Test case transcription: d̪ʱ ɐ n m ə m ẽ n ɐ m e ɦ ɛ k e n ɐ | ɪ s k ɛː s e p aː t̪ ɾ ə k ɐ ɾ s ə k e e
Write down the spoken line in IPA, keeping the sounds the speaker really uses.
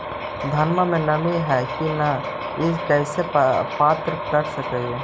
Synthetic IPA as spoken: d̪ʱ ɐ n m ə m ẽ n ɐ m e ɦ ɛ k i n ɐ | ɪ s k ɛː s e p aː t̪ ɾ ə k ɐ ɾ s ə k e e

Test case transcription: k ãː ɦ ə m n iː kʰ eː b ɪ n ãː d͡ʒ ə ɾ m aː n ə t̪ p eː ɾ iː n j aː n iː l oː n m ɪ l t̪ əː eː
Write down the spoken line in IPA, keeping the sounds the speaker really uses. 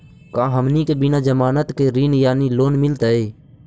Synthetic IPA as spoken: k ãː ɦ ə m n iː k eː b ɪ n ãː d͡ʒ ə m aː n ə t̪ k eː ɾ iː n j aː n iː l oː n m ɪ l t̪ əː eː

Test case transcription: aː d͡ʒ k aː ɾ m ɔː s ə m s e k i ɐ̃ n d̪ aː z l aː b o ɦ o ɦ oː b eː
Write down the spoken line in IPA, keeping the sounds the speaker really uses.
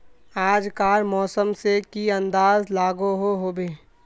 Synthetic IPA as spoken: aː d͡ʒ k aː ɾ m ɔː s ə m s e k i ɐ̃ n d̪ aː z l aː ɡ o ɦ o ɦ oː b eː

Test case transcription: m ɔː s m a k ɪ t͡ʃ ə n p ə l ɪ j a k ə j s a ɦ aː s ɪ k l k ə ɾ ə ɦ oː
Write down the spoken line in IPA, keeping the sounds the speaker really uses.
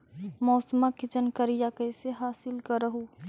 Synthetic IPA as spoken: m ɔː s m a k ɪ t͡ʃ ə n k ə ɾ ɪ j a k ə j s e ɦ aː s ɪ l k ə ɾ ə ɦ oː

